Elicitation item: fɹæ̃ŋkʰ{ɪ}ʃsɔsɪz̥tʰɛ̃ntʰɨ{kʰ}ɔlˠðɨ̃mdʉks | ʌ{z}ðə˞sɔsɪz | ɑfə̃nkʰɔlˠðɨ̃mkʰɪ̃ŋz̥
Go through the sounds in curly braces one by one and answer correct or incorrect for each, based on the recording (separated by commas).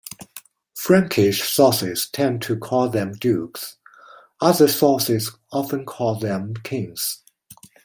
correct, correct, incorrect